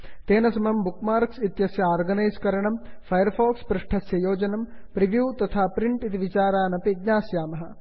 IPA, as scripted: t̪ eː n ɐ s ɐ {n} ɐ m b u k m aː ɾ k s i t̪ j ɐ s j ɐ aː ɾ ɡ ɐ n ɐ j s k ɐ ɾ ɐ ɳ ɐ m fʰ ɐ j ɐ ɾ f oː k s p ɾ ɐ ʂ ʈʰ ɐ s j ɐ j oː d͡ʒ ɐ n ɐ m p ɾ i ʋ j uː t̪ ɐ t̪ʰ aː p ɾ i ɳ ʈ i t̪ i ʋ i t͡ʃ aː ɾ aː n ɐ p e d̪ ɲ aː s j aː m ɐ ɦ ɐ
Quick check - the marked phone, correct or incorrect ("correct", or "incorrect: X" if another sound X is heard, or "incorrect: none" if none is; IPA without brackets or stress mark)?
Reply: incorrect: m